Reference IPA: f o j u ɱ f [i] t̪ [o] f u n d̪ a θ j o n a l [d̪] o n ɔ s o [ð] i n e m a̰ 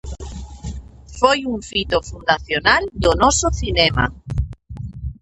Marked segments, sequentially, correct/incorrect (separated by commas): correct, correct, correct, incorrect